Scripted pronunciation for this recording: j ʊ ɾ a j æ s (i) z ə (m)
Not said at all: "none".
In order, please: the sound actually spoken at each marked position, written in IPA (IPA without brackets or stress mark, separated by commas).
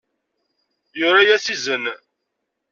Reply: i, n